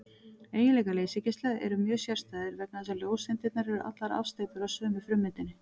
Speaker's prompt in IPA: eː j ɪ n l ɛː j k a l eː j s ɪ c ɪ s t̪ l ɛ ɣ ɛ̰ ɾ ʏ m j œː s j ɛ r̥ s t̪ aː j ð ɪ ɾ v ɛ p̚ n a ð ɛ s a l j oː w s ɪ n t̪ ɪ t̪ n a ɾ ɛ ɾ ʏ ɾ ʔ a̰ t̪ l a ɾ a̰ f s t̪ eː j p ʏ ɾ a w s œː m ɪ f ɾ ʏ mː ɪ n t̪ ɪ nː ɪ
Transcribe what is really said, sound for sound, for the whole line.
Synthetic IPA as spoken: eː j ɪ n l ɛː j k a l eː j s ɪ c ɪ s t̪ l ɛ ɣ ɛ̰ ɾ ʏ m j œː s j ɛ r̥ s t̪ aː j ð ɪ ɾ v ɛ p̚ n a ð ɛ s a l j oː w s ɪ n t̪ ɪ t̪ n a ɾ ɛ ɾ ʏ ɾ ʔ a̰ t̪ l a ɾ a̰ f s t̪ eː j p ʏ ɾ a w s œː m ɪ f ɾ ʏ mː ɪ n t̪ ɪ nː ɪ

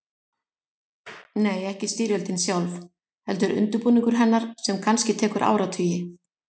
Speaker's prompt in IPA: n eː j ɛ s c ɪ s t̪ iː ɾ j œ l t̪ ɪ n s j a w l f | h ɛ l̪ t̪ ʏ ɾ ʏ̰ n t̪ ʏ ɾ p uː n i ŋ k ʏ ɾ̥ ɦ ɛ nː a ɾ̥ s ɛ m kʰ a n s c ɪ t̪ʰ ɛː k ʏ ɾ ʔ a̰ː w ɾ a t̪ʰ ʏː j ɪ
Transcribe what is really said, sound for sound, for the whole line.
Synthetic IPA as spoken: n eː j ɛ h c ɪ s t̪ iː ɾ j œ l t̪ ɪ n s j a w l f | h ɛ l̪ t̪ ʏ ɾ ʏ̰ n t̪ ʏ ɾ p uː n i ŋ k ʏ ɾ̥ ɦ ɛ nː a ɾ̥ s ɛ m kʰ a n s c ɪ t̪ʰ ɛː k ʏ ɾ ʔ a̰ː w ɾ a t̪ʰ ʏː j ɪ

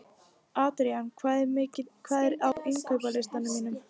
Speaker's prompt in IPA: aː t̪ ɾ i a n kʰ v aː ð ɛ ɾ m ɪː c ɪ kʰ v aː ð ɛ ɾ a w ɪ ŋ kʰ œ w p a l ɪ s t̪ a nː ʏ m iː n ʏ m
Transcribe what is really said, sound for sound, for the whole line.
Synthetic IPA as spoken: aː t̪ ɾ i a n kʰ v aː ð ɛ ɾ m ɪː c ɪ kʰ v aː ð ɛ ɾ a w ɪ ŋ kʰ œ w p a l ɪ s t̪ a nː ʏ m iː n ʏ m

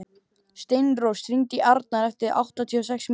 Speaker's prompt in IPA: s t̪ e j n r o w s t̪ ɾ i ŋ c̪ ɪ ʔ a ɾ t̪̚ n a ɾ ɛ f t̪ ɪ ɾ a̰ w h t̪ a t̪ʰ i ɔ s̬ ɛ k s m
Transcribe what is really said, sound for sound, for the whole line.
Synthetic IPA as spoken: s t̪ e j n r o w s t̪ ɾ i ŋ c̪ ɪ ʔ a ɾ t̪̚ n a ɾ ɛ f t̪ ɪ ɾ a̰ w h t̪ a t̪ʰ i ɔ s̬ ɛ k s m

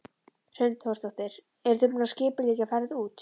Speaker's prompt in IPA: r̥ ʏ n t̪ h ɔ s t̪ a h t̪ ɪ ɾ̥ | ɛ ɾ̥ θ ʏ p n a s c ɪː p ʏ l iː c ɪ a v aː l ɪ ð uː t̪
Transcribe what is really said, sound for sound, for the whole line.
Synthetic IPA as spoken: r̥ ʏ n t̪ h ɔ s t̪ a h t̪ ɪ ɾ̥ | ɛ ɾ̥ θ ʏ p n a s c ɪː p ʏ l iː c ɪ a f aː ɾ ɪ ð uː t̪

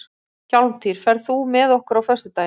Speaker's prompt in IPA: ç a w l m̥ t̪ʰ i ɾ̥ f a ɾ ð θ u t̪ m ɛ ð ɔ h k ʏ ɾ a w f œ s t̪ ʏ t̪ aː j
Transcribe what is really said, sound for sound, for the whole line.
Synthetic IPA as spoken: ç a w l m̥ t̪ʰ i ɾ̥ f ɛ ɾ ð θ u m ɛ ð ɔ h k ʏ ɾ a w f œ s t̪ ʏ t̪ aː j

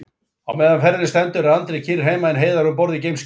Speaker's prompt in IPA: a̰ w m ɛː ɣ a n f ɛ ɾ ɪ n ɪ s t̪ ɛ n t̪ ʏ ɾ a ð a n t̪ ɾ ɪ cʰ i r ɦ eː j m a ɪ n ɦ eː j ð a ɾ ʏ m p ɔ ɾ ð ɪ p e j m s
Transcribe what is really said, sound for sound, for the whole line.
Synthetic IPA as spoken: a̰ w m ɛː ð a n f ɛ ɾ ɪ n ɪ s t̪ ɛ n t̪ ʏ ɾ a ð a n t̪ ɾ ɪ cʰ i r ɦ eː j m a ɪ n ɦ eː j ð a ɾ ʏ m p ɔ ɾ ð ɪ c e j m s

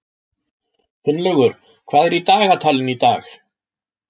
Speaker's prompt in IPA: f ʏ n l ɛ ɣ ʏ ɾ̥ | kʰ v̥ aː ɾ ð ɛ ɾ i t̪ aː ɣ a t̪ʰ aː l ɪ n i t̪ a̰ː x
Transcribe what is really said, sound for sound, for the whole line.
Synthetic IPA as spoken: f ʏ n l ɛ ɣ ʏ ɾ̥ | kʰ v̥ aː ð ɛ ɾ i t̪ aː ɣ a t̪ʰ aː l ɪ n i t̪ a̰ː x

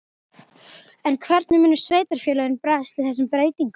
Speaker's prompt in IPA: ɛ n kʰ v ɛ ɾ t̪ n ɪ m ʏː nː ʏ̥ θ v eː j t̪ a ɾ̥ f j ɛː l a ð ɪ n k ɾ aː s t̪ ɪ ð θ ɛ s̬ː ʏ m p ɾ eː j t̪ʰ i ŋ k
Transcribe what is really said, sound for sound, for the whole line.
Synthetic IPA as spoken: ɛ n kʰ v ɛ ɾ t̪ n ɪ m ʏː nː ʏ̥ s v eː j t̪ a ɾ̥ f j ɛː l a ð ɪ n p ɾ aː s t̪ ɪ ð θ ɛ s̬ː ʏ m p ɾ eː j t̪ i ŋ k

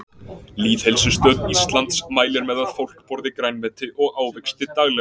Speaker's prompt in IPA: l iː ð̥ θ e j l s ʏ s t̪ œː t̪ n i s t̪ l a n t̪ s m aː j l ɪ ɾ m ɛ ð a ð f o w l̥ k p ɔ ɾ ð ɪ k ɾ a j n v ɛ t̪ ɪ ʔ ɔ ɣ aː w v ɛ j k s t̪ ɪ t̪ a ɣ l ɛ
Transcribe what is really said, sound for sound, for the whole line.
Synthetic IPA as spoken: l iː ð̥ h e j l s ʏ s t̪ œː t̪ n i s t̪ l a n t̪ s m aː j l ɪ ɾ m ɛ ð a ð f o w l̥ k p ɔ ɾ ð ɪ k ɾ a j n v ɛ t̪ ɪ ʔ ɔ ɣ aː w v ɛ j k s t̪ ɪ t̪ a ɣ l ɛ

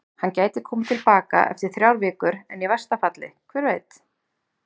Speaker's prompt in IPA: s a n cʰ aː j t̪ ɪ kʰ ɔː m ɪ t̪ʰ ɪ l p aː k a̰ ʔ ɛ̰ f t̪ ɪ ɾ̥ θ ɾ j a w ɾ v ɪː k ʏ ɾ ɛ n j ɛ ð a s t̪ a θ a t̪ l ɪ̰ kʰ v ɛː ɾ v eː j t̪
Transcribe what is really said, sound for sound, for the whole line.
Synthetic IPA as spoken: h a n c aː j t̪ ɪ kʰ ɔː m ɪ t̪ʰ ɪ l p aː k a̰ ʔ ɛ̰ f t̪ ɪ ɾ̥ θ ɾ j a w ɾ v ɪː k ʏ ɾ ɛ n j ɛ v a s t̪ a f a t̪ l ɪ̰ kʰ v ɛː ɾ v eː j t̪

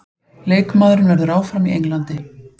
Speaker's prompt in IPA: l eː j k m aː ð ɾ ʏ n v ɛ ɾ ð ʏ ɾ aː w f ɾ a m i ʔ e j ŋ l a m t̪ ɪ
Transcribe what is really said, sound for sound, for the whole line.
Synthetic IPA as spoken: l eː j k m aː ð ɾ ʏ n v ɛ ɾ ð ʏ ɾ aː w f ɾ a m i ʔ e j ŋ l a n t̪ ɪ

